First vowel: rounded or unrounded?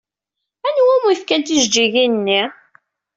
unrounded